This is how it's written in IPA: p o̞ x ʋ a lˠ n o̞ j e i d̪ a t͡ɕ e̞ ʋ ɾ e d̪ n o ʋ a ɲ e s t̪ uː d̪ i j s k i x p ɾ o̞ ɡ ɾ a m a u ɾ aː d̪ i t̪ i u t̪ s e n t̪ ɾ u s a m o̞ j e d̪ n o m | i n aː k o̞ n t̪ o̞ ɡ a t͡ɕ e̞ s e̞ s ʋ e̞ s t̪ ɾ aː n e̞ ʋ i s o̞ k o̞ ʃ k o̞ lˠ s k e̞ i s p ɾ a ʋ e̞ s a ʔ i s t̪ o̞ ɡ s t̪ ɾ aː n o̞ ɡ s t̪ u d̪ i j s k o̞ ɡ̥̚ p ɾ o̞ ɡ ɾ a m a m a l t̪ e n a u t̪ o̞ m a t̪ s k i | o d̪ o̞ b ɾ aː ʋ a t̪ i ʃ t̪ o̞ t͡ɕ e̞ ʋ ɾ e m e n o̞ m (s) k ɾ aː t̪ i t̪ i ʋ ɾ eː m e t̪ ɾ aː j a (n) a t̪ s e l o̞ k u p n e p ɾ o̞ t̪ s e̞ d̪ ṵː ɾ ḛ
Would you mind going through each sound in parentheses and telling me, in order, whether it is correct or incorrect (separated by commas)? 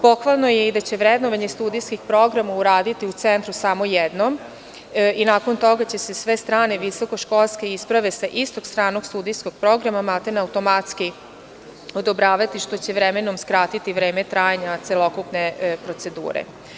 correct, incorrect